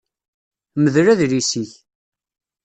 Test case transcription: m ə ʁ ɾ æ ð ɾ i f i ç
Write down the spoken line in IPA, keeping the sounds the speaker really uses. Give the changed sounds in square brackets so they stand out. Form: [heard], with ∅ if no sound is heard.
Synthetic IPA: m ə [ð] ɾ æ ð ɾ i [s] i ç